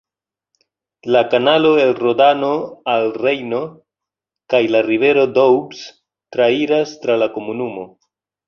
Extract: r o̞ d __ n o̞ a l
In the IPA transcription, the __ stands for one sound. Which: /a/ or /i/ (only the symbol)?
a